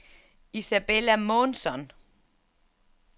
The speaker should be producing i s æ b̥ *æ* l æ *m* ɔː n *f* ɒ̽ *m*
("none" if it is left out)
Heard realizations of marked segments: e, m, s, n

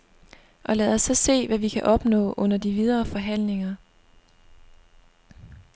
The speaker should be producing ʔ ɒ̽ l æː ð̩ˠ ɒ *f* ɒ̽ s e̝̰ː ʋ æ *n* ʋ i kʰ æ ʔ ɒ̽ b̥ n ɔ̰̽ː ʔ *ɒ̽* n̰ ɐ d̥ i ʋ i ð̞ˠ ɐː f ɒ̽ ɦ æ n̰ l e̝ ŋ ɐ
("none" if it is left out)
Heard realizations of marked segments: s, none, ɔ̽

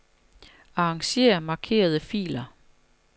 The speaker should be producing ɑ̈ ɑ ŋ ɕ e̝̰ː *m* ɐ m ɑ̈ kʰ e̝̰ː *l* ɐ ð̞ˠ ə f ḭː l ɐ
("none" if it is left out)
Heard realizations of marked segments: none, none

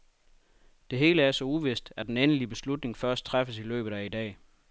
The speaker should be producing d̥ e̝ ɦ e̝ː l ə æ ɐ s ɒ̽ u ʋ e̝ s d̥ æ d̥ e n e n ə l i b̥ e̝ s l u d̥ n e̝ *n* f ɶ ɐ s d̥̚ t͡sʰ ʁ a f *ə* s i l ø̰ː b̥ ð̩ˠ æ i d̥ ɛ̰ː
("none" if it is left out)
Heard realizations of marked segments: ŋ, ə

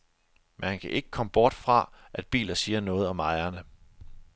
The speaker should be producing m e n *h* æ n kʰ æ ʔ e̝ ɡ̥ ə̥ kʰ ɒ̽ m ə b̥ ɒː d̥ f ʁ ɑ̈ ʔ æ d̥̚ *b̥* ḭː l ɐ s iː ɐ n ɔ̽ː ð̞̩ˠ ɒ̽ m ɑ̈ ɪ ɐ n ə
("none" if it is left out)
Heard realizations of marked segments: h, b̥

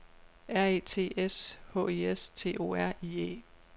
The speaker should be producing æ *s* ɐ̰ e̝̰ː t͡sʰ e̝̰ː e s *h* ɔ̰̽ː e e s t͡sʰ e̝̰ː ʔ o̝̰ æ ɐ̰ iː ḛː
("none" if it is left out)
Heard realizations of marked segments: none, h

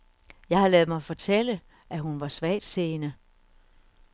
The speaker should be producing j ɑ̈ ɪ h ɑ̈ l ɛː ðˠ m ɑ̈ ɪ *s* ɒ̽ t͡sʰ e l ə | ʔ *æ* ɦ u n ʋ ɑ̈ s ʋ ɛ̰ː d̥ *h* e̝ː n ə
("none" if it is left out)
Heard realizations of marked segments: f, æ, s

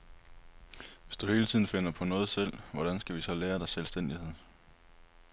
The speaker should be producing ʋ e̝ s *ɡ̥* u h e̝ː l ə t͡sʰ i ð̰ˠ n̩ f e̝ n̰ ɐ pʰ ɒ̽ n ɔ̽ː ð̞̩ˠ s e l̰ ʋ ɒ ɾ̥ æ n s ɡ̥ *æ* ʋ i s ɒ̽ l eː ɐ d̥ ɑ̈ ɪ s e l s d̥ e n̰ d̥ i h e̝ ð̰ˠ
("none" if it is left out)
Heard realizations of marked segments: d̥, æ

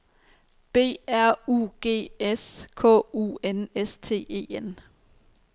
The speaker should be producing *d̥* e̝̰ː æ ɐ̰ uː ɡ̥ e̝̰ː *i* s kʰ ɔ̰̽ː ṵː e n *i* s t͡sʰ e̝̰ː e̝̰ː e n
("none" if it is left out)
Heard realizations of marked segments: b̥, e, e

